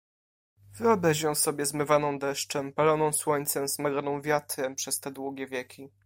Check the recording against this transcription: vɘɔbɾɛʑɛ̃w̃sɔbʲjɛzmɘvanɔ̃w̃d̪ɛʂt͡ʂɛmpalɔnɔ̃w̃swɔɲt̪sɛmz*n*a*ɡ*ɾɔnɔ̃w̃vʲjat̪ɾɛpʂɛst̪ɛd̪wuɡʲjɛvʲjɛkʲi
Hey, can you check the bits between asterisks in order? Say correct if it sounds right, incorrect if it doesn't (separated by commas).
incorrect, correct